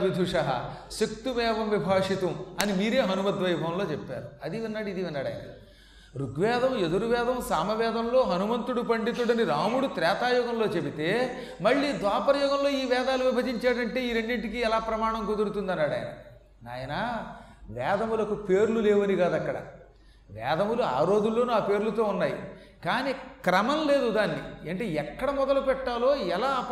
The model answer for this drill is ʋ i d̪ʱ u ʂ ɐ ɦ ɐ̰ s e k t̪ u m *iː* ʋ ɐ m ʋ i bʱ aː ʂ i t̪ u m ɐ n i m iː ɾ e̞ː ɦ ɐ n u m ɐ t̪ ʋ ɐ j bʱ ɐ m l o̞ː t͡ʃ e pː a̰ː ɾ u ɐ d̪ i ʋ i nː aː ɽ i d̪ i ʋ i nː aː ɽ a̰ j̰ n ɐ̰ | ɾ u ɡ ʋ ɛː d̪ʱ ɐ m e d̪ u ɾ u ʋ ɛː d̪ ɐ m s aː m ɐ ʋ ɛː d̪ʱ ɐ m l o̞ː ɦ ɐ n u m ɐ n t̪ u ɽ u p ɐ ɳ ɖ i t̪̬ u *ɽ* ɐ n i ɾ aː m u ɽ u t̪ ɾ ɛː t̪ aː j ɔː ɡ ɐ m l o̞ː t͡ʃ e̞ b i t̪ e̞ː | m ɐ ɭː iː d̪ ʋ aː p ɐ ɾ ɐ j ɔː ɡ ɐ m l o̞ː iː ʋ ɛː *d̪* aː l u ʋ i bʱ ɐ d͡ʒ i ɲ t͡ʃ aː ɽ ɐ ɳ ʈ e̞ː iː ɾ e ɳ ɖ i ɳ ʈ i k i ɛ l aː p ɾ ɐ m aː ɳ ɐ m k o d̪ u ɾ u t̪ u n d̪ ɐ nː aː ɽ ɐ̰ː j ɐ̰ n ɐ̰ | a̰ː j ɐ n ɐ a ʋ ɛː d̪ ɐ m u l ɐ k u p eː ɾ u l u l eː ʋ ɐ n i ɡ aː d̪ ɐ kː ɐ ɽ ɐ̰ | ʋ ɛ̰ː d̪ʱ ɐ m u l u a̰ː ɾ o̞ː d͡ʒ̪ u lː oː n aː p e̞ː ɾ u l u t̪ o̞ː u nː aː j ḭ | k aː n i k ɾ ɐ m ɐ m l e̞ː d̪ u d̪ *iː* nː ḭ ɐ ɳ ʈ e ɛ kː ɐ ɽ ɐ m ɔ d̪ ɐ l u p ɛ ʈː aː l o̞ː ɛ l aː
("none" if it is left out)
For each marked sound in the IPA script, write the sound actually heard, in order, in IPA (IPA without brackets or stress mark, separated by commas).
ɛː, ɽ, d̪, aː